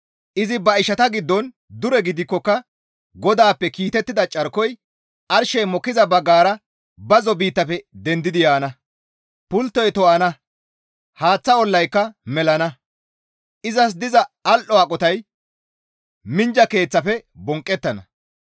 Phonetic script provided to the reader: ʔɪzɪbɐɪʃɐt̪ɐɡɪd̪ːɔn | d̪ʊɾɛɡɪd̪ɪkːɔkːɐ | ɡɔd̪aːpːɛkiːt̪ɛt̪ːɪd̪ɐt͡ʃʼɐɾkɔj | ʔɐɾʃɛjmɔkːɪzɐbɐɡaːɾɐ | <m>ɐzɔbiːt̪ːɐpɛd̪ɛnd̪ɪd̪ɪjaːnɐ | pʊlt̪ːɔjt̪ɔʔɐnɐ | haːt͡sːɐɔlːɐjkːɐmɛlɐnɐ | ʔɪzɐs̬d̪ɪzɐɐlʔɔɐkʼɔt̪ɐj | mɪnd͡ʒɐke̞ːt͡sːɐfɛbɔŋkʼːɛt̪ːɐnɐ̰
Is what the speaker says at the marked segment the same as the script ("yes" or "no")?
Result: no